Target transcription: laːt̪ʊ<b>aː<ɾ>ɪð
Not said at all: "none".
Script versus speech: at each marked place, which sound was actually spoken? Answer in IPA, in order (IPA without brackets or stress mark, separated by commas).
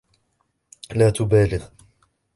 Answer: b, l